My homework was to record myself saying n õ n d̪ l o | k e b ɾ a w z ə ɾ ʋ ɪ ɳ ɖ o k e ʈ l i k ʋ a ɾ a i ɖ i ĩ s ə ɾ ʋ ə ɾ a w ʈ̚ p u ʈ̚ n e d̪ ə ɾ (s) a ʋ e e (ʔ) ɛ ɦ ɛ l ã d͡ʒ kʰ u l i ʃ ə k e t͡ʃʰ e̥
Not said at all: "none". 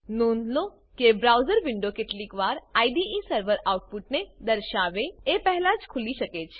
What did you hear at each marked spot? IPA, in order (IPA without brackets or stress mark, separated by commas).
ʃ, p